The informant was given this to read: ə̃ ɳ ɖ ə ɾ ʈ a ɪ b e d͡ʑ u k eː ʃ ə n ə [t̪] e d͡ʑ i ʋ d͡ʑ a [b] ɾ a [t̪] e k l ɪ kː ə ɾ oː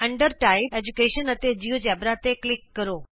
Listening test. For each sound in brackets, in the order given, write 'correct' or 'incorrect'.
correct, correct, correct

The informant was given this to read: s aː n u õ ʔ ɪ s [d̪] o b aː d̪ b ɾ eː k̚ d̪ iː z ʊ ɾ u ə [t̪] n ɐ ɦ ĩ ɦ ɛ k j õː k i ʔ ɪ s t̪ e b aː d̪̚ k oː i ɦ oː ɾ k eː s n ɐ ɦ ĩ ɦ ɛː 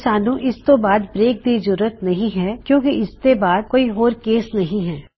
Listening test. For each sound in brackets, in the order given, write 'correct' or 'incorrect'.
incorrect, correct

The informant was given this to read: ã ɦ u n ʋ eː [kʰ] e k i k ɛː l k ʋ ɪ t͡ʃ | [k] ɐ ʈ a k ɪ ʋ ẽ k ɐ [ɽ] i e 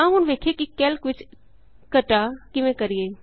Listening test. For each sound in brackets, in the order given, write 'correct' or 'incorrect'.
correct, correct, incorrect

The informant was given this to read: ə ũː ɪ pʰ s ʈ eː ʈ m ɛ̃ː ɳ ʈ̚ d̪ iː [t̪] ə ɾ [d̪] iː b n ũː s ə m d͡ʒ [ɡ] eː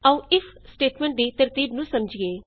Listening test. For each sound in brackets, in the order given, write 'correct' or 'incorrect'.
correct, incorrect, correct

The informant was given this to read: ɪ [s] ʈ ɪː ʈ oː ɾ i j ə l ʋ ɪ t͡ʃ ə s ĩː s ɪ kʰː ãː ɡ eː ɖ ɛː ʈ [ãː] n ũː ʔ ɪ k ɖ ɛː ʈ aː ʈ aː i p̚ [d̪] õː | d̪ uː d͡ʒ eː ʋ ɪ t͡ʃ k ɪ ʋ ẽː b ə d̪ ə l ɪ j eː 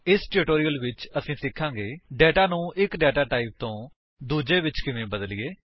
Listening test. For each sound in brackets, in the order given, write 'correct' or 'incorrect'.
correct, incorrect, incorrect

